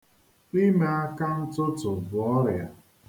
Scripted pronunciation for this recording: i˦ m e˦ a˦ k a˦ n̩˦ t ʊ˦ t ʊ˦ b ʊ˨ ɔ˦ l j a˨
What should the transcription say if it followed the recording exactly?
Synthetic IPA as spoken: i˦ m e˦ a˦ k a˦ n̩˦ t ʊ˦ t ʊ˨ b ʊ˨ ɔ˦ ɾ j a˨